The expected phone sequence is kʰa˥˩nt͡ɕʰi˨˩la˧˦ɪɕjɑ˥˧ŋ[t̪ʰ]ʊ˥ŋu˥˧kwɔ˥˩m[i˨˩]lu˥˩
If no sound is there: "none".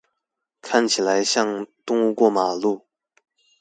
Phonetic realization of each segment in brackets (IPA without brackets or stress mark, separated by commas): t̪, a˨˩